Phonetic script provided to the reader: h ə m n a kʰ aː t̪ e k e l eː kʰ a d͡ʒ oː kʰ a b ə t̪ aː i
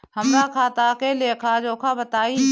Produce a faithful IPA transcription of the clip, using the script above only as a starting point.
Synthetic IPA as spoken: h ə m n a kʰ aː t̪ a k e l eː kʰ a d͡ʒ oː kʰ a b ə t̪ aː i